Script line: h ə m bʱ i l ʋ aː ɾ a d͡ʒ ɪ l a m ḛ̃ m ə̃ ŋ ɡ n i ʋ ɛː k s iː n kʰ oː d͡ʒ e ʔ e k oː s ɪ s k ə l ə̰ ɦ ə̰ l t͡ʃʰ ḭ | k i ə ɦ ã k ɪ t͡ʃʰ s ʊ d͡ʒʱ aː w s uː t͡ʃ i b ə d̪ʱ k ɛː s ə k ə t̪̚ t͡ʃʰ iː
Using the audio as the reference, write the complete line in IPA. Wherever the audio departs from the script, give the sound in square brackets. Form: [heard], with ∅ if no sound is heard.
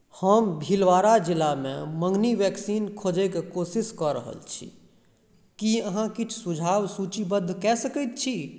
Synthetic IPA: h ə m bʱ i l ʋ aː ɾ a d͡ʒ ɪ l a m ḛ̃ m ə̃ ŋ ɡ n i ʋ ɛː k s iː n kʰ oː d͡ʒ e [k] e k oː s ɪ s k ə [ɾ] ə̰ ɦ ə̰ l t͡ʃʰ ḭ | k i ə ɦ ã k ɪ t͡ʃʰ s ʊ d͡ʒʱ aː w s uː t͡ʃ i b ə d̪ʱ k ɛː s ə k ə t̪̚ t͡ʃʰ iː